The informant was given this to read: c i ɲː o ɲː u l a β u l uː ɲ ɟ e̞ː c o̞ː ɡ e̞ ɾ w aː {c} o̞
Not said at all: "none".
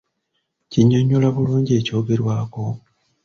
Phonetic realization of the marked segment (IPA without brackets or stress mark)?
k